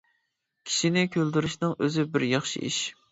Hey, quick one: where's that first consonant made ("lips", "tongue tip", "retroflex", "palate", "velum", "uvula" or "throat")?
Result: velum